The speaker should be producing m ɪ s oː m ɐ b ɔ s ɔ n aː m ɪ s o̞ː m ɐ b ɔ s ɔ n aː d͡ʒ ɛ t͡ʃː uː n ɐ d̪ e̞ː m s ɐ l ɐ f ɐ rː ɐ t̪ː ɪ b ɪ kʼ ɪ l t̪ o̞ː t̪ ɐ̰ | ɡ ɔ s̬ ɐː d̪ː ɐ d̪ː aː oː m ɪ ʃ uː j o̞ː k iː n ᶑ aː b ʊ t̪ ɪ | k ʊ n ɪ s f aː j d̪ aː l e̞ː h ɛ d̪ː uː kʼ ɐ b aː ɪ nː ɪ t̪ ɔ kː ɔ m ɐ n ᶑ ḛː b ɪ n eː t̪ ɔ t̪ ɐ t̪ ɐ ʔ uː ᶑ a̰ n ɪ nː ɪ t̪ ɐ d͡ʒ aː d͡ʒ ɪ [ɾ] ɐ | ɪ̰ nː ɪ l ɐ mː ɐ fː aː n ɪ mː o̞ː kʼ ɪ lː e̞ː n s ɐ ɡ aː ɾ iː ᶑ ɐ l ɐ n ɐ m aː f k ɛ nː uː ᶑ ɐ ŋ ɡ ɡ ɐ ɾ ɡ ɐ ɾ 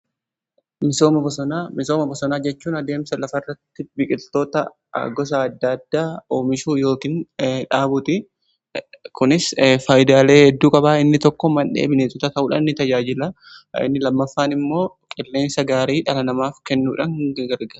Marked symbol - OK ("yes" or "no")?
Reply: no